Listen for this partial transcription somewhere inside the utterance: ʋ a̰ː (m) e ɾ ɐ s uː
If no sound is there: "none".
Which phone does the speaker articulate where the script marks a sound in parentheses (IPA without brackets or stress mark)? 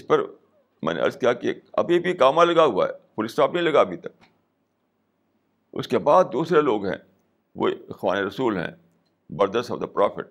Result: n